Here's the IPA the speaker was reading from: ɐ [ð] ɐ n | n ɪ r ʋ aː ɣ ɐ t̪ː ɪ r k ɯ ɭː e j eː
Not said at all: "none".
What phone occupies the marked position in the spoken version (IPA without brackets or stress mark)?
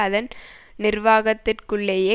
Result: ð